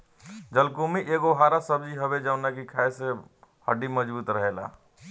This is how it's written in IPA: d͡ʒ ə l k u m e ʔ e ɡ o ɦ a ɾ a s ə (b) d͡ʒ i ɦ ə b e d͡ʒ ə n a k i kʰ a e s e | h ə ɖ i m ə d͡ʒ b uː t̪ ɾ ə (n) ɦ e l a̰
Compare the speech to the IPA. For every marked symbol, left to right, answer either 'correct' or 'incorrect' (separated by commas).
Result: correct, incorrect